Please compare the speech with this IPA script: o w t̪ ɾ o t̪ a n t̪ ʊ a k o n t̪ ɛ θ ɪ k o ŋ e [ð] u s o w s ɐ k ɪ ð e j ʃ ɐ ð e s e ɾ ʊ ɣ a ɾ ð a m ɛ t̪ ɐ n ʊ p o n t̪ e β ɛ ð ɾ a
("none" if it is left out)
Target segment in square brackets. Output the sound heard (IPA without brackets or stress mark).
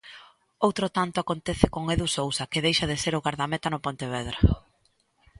ð